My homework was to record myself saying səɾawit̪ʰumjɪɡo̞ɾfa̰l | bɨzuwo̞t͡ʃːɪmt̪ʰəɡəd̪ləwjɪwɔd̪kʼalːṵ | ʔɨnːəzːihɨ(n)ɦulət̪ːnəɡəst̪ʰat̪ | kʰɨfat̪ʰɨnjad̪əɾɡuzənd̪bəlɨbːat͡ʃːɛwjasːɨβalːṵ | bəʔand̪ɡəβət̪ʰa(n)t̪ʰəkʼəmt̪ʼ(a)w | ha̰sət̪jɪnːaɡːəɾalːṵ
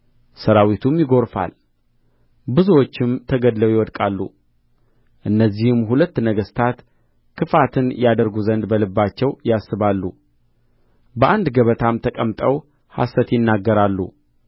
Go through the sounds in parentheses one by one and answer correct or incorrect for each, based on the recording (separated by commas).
incorrect, incorrect, incorrect